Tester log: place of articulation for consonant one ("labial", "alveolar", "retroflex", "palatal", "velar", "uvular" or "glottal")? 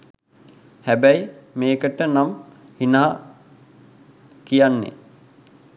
glottal